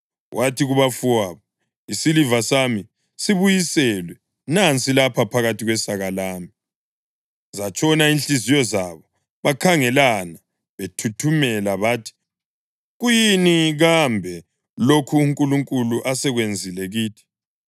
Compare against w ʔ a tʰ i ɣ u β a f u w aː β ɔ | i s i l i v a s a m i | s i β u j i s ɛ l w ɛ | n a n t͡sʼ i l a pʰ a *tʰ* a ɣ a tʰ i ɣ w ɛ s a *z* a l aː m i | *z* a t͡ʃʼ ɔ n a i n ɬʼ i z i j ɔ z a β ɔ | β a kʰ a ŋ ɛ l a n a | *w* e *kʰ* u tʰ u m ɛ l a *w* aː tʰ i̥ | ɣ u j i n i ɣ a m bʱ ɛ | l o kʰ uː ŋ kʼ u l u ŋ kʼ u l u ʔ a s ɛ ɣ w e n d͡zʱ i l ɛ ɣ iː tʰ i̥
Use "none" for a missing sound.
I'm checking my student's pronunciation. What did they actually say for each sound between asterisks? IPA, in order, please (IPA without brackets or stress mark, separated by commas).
pʰ, ɣ, z, β, tʰ, β